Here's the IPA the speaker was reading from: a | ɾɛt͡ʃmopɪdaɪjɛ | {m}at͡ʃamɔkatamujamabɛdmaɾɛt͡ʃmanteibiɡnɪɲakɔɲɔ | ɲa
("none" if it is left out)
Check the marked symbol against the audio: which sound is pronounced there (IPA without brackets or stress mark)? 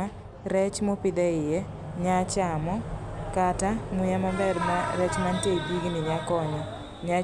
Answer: ɲ